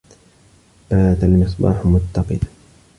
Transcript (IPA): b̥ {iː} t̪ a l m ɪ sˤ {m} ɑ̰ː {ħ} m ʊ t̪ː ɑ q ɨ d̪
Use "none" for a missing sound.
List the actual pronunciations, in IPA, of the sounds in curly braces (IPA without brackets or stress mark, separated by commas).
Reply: aː, b, ħ